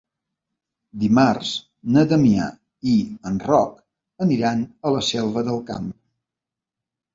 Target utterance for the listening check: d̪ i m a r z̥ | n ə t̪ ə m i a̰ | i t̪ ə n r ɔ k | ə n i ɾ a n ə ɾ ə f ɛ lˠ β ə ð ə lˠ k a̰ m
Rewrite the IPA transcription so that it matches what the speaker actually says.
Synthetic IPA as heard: d̪ i m a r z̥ | n ə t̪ ə m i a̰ | i ə n r ɔ k | ə n i ɾ a n ə l ə s ɛ lˠ β ə ð ə lˠ k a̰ m